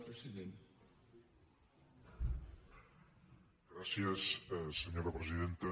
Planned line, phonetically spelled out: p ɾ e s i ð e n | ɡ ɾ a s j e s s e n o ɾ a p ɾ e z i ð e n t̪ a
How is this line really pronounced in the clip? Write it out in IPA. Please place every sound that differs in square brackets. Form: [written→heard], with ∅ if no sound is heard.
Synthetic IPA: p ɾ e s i ð e n | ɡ ɾ a s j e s s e [n→ɲ] o ɾ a p ɾ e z i ð e n t̪ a